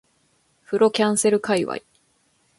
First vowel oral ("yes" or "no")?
yes